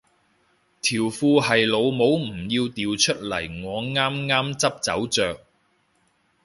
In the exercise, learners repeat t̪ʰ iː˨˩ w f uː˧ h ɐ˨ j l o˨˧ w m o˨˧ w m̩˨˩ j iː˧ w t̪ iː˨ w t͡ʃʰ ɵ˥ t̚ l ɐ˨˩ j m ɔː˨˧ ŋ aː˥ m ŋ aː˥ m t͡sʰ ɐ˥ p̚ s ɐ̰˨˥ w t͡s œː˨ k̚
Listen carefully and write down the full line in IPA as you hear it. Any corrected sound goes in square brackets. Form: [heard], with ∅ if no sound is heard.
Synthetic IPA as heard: t̪ʰ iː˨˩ w f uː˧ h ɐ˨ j l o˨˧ w m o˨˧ w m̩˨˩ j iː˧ w t̪ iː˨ w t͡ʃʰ ɵ˥ t̚ l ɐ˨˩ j [ŋ] ɔː˨˧ ŋ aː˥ m ŋ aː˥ m [t͡s] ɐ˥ p̚ [t͡s] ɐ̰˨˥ w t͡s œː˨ k̚